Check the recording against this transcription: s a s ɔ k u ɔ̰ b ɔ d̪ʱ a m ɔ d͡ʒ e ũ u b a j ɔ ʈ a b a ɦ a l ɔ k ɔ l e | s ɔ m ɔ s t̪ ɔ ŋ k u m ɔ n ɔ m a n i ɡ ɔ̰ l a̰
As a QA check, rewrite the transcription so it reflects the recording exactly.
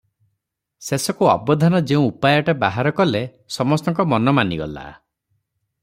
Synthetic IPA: s e s ɔ k u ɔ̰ b ɔ d̪ʱ a n ɔ d͡ʒ e ũ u p a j ɔ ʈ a b a ɦ a ɾ ɔ k ɔ l e | s ɔ m ɔ s t̪ ɔ ŋ k ɔ m ɔ n ɔ m a n i ɡ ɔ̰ l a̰